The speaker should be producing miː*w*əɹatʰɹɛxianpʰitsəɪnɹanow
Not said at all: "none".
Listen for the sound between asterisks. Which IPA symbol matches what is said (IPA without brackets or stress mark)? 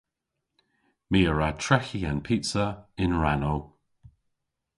none